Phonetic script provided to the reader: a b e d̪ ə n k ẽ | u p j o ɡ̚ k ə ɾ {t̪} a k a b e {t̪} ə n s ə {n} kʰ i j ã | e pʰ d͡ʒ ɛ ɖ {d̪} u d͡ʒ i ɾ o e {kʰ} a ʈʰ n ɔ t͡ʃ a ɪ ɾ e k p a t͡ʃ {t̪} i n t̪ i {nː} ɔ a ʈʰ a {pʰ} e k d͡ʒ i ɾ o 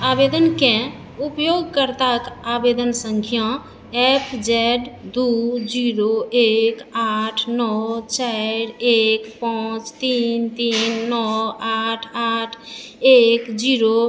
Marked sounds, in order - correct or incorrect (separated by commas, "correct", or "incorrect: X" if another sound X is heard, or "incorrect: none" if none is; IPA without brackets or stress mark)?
correct, incorrect: d̪, incorrect: ŋ, correct, incorrect: k, correct, correct, incorrect: ʈʰ